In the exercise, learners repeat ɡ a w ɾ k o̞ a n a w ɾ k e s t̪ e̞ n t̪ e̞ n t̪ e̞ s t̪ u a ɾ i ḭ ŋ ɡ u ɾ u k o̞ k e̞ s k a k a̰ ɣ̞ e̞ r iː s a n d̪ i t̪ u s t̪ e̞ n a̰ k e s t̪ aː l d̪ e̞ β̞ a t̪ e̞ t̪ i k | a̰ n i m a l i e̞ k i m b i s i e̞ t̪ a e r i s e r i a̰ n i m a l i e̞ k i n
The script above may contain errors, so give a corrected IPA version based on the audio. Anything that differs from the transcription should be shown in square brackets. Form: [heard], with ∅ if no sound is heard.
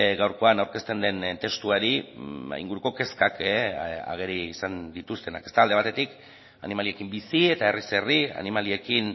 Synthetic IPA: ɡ a w ɾ k o̞ a n a w ɾ k e s t̪ e̞ n [d̪] e̞ n t̪ e̞ s t̪ u a ɾ i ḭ ŋ ɡ u ɾ u k o̞ k e̞ s k a k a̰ ɣ̞ e̞ [ɾ] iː s a n d̪ i t̪ u s t̪ e̞ n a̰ k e s t̪ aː l d̪ e̞ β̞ a t̪ e̞ t̪ i k | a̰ n i m a l i e̞ k i m b i s i e̞ t̪ a e r i s e r i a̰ n i m a l i e̞ k i n